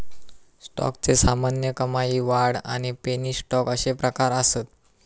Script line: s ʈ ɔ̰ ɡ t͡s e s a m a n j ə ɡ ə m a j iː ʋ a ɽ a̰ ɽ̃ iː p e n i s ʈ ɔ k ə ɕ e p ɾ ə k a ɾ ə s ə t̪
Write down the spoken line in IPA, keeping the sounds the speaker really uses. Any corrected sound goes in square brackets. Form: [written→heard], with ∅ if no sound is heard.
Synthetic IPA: s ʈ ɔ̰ [ɡ→k] t͡s e s a m a n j ə [ɡ→k] ə m a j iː ʋ a ɽ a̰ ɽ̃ [iː→i] p e n i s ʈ ɔ k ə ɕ e p ɾ ə k a ɾ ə s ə t̪